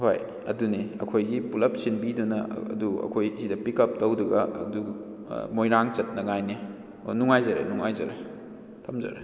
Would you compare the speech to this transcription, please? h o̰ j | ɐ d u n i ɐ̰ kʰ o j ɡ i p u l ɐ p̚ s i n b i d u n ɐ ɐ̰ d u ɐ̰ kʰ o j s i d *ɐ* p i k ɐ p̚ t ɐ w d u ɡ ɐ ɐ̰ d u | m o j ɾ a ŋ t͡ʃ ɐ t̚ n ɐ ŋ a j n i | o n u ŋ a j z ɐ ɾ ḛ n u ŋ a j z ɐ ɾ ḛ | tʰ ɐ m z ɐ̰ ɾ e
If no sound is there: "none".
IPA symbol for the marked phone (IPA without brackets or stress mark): ɐ